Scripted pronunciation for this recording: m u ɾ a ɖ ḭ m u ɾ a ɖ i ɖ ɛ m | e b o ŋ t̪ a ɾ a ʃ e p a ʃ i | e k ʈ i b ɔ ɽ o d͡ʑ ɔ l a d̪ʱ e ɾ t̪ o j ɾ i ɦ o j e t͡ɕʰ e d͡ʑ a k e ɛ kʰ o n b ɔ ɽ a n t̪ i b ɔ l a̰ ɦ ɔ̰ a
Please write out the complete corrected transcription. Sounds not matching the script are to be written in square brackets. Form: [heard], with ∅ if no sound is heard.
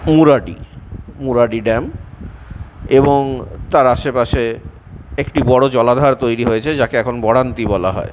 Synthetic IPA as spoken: m u ɾ a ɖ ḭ m u ɾ a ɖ i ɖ ɛ m | e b o ŋ t̪ a ɾ a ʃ e p a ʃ [e] | e k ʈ i b ɔ ɽ o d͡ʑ ɔ l a d̪ʱ [a] ɾ t̪ o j ɾ i ɦ o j e t͡ɕʰ e d͡ʑ a k e ɛ kʰ o n b ɔ ɽ a n t̪ i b ɔ l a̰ ɦ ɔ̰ [e]

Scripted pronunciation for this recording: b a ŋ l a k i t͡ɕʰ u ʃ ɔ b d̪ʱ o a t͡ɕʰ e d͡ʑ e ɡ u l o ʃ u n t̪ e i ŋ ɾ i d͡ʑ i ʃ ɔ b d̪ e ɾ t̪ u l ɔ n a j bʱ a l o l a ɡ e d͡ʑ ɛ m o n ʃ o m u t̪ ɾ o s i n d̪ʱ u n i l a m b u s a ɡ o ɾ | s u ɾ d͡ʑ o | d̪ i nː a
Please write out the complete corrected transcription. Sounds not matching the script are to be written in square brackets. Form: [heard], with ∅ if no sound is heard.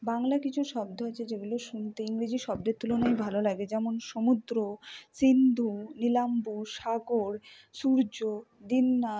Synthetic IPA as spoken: b a ŋ l a k i t͡ɕʰ u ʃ ɔ b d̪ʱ o a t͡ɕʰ e d͡ʑ e ɡ u l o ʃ u n t̪ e i ŋ ɾ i d͡ʑ i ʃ ɔ b d̪ e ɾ t̪ u l [o] n a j bʱ a l o l a ɡ e d͡ʑ ɛ m o n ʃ o m u [d̪] ɾ o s i n d̪ʱ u n i l a m b u [ʃ] a ɡ o ɾ | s u ɾ d͡ʑ o | d̪ i nː a

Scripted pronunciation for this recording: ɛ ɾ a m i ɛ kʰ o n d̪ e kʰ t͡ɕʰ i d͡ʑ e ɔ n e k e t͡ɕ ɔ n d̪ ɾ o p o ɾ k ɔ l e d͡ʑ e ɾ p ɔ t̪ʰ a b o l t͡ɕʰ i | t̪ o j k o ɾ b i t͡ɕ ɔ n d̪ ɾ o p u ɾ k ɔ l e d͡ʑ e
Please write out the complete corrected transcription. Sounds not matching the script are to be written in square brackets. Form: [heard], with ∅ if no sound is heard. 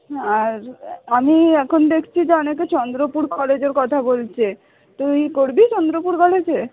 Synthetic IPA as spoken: [a] ɾ a m i ɛ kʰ o n d̪ e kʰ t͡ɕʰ i d͡ʑ e ɔ n e k e t͡ɕ ɔ n d̪ ɾ o p [u] ɾ k ɔ l e d͡ʑ e ɾ [k] ɔ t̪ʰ a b o l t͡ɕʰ [e] | t̪ o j k o ɾ b i t͡ɕ ɔ n d̪ ɾ o p u ɾ k ɔ l e d͡ʑ e

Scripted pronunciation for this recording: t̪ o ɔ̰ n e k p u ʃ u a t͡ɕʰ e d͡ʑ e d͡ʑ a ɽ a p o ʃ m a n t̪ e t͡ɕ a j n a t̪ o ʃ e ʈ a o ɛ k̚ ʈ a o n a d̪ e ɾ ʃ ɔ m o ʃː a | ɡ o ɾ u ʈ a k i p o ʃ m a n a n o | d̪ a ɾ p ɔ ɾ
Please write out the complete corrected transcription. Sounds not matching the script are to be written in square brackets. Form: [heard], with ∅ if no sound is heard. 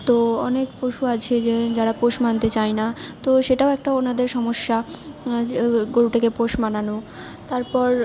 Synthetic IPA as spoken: t̪ o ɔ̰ n e k p [o] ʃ u a t͡ɕʰ e d͡ʑ e d͡ʑ a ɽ a p o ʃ m a n t̪ e t͡ɕ a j n a t̪ o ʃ e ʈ a o ɛ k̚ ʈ a o n a d̪ e ɾ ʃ ɔ m o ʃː a | ɡ o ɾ u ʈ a k [e] p o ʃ m a n a n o | [t̪] a ɾ p ɔ ɾ

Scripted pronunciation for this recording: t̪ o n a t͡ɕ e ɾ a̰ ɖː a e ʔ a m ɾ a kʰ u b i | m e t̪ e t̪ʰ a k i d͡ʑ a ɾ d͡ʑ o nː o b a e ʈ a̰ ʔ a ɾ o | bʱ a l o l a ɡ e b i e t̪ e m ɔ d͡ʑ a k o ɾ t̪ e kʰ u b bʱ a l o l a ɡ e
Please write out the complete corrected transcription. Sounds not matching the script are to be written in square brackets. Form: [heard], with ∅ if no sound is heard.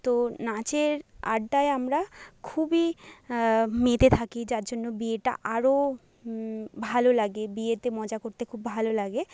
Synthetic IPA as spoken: t̪ o n a t͡ɕ e ɾ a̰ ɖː a e [∅] a m ɾ a kʰ u b i | m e t̪ e t̪ʰ a k i d͡ʑ a ɾ d͡ʑ o nː o b [i] e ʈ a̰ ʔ a ɾ o | bʱ a l o l a ɡ e b i e t̪ e m ɔ d͡ʑ a k o ɾ t̪ e kʰ u b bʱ a l o l a ɡ e

